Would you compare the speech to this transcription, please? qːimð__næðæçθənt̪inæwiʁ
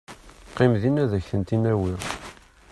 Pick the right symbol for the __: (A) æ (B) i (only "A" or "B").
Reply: B